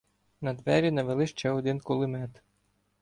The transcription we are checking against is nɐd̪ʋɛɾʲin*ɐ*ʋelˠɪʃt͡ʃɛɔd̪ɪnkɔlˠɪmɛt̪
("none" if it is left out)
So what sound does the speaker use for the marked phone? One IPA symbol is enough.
ɐ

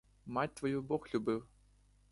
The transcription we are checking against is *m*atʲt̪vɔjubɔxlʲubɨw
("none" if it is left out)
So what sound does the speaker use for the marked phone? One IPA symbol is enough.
m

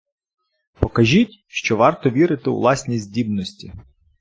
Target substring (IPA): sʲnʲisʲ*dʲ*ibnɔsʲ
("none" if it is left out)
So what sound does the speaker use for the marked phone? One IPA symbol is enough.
dʲ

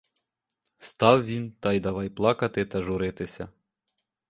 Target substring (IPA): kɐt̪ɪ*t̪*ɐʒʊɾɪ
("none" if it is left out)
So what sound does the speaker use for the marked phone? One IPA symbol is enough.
t̪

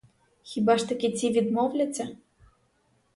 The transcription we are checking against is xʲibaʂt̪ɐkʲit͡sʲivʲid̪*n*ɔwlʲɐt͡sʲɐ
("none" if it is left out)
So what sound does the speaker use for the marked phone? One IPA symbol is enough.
m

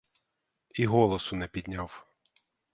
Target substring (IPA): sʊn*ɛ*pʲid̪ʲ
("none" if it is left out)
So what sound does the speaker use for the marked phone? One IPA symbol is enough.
ɛ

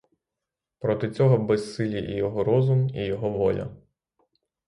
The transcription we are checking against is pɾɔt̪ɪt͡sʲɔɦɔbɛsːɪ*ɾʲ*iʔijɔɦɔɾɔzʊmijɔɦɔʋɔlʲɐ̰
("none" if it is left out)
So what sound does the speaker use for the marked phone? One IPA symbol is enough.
lʲ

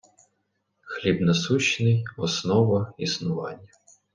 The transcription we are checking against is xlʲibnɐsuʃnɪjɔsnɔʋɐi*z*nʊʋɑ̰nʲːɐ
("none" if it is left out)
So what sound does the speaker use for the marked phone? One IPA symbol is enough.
s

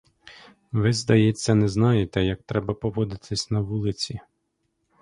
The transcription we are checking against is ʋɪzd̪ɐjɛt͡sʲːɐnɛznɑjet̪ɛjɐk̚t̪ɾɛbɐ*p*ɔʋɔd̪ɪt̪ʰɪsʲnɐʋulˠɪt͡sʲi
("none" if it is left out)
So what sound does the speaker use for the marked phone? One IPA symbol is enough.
p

